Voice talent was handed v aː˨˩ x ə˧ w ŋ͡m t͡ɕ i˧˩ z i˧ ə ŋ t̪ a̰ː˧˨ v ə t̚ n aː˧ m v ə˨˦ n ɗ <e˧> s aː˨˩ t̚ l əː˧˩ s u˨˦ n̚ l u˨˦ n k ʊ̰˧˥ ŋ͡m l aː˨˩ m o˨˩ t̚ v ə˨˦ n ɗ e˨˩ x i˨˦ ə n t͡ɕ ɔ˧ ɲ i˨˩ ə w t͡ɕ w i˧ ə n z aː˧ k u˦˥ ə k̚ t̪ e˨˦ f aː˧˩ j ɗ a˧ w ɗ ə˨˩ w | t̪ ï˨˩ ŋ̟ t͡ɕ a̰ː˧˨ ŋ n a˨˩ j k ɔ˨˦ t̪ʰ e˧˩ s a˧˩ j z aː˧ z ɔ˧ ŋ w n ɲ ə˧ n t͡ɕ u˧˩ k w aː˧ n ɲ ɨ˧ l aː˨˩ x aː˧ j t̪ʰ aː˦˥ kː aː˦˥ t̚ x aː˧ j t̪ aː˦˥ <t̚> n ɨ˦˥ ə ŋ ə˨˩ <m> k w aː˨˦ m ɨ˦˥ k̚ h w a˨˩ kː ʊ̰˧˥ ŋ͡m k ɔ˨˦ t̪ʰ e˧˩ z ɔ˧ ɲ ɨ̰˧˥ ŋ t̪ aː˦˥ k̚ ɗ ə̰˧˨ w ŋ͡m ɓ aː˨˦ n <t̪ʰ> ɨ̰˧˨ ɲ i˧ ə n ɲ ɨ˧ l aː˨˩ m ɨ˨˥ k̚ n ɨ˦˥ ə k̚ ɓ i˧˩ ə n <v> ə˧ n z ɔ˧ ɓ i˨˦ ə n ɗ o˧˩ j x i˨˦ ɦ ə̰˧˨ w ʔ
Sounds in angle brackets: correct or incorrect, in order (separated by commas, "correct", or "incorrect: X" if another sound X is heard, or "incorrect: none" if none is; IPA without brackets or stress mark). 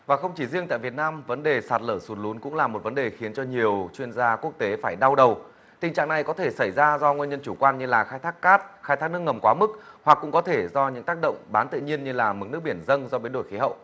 incorrect: e˨˩, incorrect: k̚, correct, incorrect: t̪, incorrect: z